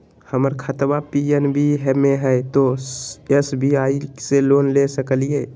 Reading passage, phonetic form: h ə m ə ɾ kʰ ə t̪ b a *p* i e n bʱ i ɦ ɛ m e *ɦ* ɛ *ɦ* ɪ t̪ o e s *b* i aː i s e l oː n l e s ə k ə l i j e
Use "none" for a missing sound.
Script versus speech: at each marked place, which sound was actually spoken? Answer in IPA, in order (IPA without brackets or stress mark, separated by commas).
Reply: p, ɦ, none, b